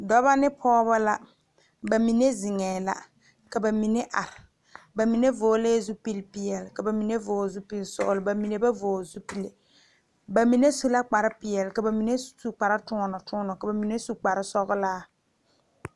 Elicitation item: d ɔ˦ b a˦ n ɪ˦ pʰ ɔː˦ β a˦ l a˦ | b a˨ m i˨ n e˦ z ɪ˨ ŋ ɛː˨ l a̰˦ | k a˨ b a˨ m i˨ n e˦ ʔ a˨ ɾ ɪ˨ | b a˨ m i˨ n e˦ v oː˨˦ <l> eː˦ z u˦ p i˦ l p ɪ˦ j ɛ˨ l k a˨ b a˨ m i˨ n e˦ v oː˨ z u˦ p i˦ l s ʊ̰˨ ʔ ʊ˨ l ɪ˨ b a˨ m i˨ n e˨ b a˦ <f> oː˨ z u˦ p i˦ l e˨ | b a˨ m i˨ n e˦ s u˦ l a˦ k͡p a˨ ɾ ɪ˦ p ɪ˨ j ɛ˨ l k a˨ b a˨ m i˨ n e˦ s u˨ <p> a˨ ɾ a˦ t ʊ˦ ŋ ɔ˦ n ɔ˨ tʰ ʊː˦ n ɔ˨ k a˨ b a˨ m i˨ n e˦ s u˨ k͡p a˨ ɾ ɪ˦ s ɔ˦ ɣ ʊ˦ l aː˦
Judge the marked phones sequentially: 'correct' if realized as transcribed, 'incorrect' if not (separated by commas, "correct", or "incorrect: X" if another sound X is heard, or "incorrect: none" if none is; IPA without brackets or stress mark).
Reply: correct, incorrect: v, incorrect: k͡p